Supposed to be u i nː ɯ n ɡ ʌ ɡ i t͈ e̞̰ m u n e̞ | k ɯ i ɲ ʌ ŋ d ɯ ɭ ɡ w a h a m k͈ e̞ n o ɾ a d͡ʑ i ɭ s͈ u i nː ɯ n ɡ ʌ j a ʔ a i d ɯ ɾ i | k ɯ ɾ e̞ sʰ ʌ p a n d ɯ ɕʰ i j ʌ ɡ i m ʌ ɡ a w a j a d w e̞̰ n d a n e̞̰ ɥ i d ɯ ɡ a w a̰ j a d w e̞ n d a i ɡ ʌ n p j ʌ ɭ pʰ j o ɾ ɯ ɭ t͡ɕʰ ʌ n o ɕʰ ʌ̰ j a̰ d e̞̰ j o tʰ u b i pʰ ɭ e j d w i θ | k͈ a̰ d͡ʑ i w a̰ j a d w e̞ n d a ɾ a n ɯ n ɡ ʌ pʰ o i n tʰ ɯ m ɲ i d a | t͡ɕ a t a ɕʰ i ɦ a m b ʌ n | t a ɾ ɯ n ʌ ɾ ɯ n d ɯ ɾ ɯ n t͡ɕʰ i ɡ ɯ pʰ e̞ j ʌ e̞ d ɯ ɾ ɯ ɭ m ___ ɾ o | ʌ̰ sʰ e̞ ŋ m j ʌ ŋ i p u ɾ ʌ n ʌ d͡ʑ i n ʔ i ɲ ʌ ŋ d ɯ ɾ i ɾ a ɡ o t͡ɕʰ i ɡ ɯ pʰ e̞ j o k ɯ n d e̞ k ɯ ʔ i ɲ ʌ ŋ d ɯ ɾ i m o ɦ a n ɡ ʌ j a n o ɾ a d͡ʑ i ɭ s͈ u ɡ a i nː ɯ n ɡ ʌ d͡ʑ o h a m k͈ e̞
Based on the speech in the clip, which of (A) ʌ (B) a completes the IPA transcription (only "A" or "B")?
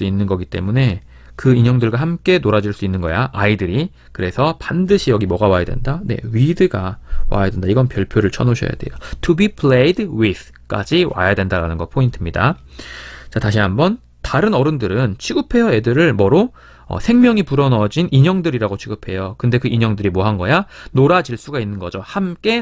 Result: A